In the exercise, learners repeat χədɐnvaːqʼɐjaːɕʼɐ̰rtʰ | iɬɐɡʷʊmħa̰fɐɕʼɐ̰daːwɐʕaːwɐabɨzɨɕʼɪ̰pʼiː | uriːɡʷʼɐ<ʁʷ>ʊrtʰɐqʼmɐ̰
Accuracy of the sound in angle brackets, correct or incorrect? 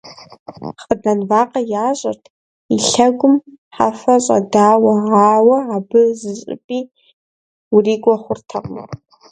incorrect